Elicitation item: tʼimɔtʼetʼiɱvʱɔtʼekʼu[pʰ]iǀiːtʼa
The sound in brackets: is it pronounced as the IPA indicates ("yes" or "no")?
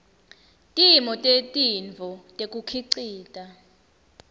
no